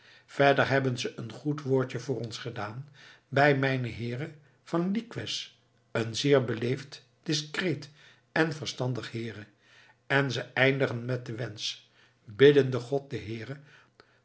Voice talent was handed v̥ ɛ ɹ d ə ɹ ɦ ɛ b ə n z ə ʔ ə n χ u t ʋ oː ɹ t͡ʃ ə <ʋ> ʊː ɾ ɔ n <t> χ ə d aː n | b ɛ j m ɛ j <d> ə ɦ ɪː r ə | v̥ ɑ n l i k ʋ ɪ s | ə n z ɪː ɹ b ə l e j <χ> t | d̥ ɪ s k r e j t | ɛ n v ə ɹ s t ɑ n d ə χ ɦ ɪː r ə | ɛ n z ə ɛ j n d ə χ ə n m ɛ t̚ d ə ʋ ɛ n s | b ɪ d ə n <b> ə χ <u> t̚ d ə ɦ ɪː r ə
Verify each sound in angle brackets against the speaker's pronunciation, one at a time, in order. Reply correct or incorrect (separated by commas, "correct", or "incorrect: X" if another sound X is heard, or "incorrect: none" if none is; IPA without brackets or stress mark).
incorrect: v, incorrect: s, incorrect: n, incorrect: f, incorrect: d, incorrect: ɔ